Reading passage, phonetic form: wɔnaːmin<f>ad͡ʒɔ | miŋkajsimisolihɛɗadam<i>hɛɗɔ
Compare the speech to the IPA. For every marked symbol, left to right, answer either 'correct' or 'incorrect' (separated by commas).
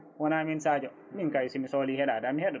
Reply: incorrect, correct